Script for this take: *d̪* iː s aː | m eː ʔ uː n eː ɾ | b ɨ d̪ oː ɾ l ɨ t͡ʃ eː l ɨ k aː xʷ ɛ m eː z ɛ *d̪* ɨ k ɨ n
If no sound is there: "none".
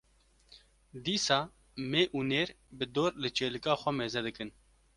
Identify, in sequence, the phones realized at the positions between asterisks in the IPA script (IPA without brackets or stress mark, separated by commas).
d̪, d̪